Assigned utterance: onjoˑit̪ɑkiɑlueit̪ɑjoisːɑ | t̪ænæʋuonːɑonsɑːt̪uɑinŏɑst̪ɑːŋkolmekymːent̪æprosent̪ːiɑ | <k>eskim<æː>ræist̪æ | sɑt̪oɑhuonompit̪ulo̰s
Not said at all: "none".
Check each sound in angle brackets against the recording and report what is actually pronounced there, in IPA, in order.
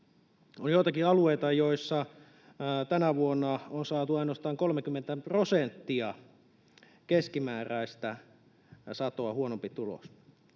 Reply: k, æː

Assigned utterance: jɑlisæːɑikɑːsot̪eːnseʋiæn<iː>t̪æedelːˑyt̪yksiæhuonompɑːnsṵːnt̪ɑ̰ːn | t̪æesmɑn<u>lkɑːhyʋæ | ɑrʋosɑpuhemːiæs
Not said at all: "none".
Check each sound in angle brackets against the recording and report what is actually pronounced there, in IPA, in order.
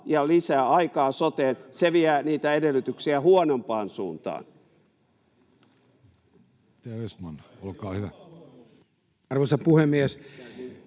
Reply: iː, o

